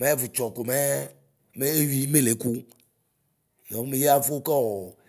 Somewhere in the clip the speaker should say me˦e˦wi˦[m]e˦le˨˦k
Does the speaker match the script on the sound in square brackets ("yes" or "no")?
yes